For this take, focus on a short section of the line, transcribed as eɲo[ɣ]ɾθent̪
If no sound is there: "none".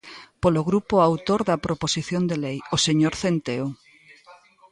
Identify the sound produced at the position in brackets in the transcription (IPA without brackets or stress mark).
none